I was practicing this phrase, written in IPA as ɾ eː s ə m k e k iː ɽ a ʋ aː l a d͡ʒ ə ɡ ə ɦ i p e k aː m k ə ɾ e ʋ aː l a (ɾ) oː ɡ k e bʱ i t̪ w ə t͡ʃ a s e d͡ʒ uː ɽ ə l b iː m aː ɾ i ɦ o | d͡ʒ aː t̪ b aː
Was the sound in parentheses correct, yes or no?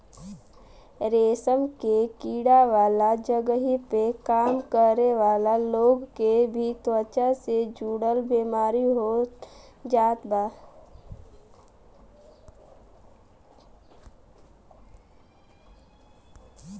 no